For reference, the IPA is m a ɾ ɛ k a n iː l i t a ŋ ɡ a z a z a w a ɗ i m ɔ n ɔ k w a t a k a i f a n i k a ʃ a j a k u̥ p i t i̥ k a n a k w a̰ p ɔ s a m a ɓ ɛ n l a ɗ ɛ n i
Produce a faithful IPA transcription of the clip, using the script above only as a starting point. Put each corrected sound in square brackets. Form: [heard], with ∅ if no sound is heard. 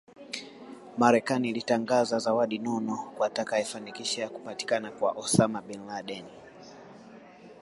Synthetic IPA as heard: m a ɾ ɛ k a n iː l i t a ŋ ɡ a z a z a w a ɗ i [n] ɔ n ɔ k w a t a k a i f a n i k [i] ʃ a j a k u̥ p [a] t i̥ k a n a k w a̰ [ʔ] ɔ s a m a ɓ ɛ n l a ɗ ɛ n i